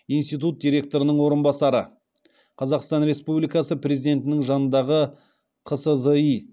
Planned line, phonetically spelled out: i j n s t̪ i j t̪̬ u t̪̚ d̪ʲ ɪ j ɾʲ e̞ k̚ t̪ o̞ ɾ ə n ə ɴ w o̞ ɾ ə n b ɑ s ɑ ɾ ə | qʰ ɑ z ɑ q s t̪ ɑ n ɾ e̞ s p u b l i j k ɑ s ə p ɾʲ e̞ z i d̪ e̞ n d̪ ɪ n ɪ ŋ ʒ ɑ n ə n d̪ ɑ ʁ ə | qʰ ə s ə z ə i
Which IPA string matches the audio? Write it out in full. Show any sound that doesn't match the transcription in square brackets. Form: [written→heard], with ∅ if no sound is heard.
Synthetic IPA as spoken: i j n s t̪ i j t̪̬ u t̪̚ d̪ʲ [ɪ→i] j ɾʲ e̞ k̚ t̪ o̞ ɾ ə n ə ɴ w o̞ ɾ ə n b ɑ s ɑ ɾ ə | qʰ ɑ z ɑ q s t̪ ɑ n ɾ e̞ s p u b l i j k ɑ s ə p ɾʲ e̞ z i d̪ e̞ n [d̪→t̪] ɪ n ɪ ŋ ʒ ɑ n ə n d̪ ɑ ʁ ə | qʰ ə s ə z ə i